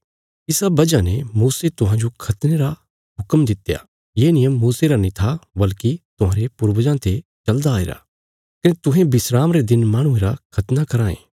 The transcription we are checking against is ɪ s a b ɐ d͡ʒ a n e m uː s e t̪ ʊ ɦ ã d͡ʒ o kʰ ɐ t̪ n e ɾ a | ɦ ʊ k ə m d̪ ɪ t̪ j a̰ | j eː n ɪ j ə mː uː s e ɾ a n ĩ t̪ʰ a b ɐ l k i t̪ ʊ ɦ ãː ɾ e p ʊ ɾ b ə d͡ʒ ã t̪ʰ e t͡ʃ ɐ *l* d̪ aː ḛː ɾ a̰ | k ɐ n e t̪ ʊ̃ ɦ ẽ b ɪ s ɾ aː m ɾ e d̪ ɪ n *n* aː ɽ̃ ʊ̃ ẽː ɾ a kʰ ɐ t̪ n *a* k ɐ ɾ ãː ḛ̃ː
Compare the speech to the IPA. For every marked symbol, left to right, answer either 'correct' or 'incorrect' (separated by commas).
correct, incorrect, correct